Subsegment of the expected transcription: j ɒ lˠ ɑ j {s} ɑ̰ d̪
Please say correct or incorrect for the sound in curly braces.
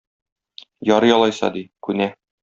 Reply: correct